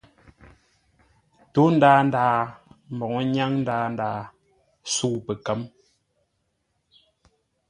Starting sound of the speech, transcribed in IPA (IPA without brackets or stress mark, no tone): t